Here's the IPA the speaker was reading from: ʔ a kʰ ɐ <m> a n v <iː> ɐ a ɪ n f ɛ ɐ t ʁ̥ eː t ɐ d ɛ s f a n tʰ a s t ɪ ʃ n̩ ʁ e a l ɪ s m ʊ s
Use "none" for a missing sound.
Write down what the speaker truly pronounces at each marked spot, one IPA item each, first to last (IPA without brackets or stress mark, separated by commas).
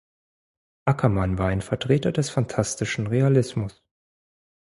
m, aː